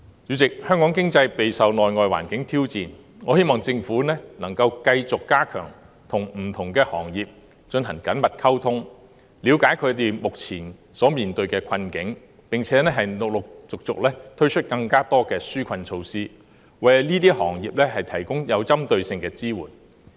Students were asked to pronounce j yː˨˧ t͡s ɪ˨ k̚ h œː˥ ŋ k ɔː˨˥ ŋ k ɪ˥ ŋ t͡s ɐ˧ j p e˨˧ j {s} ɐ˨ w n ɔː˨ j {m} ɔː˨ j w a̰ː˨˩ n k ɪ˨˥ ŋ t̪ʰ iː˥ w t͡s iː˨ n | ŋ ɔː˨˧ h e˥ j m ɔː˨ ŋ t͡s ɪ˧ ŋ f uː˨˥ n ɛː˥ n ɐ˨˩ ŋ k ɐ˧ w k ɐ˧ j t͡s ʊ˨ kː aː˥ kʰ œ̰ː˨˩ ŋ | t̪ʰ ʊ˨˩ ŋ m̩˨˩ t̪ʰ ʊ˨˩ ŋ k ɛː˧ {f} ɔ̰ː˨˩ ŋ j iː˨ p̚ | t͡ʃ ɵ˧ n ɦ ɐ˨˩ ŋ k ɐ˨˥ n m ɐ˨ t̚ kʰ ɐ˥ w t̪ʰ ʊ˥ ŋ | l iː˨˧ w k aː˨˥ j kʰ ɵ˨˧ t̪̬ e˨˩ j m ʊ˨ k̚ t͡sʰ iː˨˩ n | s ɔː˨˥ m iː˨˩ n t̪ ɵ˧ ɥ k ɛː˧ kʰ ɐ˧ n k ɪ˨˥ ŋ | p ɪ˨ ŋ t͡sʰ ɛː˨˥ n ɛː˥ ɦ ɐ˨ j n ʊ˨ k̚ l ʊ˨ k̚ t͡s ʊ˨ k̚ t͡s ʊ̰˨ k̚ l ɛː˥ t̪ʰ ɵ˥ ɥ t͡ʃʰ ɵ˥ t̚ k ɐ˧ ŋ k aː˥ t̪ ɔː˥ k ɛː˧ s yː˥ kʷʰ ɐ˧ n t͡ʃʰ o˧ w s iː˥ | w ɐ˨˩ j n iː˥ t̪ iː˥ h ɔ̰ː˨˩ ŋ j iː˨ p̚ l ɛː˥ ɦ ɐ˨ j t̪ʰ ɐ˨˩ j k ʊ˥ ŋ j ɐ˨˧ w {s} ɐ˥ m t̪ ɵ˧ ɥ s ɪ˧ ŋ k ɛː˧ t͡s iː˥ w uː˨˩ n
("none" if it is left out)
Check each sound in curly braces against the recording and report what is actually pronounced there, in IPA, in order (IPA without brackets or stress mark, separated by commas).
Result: s, ŋ, h, t͡s